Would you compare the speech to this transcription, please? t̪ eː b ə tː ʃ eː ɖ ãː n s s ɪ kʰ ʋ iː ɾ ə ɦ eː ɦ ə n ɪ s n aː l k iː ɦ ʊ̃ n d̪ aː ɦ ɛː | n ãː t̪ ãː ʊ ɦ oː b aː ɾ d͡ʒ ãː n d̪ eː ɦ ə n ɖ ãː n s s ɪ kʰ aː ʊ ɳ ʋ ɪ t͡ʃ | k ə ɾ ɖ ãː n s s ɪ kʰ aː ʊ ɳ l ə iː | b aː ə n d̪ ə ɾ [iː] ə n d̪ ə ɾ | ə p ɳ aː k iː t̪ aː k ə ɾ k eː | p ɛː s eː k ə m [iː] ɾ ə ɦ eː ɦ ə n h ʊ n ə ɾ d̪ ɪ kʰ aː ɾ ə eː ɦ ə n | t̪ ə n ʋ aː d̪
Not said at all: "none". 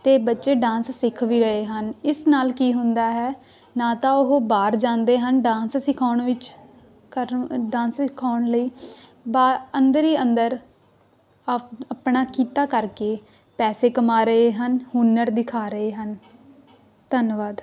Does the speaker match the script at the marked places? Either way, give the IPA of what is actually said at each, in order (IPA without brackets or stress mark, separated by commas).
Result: iː, aː